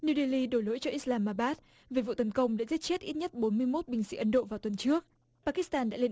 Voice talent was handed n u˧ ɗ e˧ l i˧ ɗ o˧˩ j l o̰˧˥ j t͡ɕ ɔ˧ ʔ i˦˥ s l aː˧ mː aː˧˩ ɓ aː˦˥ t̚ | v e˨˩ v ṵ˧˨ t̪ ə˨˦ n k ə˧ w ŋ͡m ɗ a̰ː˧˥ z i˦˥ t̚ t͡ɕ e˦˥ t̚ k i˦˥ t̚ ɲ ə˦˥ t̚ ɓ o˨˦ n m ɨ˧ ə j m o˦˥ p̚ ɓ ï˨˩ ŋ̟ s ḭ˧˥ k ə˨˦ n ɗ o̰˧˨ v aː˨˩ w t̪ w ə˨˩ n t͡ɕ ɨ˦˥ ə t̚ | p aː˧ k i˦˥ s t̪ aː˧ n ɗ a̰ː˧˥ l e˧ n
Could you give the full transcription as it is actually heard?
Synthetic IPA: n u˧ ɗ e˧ l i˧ ɗ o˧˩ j l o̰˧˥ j t͡ɕ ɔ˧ ʔ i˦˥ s l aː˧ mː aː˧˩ ɓ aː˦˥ t̚ | v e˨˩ v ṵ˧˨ t̪ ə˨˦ n k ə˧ w ŋ͡m ɗ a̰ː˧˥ z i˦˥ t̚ t͡ɕ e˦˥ t̚ ʔ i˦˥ t̚ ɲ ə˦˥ t̚ ɓ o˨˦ n m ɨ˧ ə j m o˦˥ t̚ ɓ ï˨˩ ŋ̟ s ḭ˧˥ ʔ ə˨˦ n ɗ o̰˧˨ v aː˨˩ w t̪ w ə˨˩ n t͡ɕ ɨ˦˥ ə k̚ | p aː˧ k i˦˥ s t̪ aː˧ n ɗ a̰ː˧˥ l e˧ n